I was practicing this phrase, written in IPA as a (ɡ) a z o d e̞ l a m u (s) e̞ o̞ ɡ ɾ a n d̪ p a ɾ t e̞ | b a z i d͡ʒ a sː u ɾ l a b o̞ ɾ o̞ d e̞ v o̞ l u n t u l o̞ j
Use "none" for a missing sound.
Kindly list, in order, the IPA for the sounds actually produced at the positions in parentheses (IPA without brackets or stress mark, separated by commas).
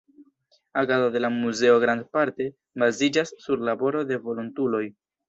ɡ, z